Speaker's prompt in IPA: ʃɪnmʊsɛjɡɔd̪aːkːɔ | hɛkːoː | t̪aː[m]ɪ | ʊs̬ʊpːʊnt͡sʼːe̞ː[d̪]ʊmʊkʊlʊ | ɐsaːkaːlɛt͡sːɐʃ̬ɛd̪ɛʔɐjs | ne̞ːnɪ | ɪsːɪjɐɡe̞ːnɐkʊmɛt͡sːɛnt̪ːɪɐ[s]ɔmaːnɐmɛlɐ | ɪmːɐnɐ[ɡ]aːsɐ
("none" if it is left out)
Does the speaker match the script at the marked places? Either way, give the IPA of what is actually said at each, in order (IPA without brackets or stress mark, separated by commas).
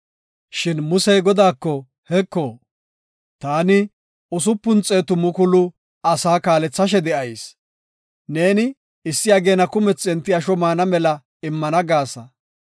n, t̪, ʃ, ɡ